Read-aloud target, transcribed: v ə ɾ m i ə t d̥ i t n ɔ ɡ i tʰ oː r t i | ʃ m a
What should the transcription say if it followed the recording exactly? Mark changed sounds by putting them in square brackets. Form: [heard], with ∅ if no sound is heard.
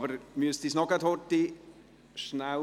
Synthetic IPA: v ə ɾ m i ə [s] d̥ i [s] n ɔ ɡ [a] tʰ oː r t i | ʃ [n] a